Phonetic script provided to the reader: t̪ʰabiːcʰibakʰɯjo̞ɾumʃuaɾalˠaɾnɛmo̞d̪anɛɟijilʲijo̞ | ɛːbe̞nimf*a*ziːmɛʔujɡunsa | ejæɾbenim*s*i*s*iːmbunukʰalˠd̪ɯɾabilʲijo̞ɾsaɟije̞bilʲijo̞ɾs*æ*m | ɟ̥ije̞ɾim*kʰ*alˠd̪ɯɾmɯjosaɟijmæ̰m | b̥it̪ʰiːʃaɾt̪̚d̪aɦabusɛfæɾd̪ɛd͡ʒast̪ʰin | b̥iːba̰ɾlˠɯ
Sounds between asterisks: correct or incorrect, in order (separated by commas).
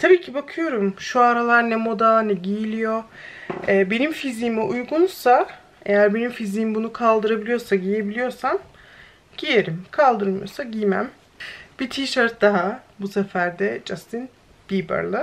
incorrect, incorrect, incorrect, incorrect, correct